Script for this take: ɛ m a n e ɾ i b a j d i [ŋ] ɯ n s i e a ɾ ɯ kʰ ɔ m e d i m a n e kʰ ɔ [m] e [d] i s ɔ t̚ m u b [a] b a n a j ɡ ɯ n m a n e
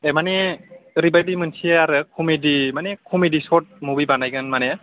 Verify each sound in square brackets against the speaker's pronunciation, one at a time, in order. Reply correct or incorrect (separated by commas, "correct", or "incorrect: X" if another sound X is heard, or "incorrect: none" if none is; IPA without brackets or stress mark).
incorrect: m, correct, correct, incorrect: i